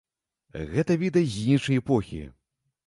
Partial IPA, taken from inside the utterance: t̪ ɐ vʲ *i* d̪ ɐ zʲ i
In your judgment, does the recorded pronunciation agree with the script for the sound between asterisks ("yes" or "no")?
yes